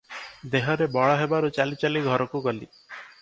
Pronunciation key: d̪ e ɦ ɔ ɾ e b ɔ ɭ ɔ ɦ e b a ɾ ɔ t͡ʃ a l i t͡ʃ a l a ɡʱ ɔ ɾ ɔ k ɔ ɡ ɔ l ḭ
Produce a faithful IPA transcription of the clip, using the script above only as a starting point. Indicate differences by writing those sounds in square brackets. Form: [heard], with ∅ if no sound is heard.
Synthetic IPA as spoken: d̪ e ɦ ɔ ɾ e b ɔ ɭ ɔ ɦ e b a ɾ [u] t͡ʃ a l i t͡ʃ a l [i] ɡʱ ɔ ɾ ɔ k [u] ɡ ɔ l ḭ